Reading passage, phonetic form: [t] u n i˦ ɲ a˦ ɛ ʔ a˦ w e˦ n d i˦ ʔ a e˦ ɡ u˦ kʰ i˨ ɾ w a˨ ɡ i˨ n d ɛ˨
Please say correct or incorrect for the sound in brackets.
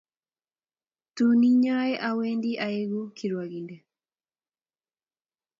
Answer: correct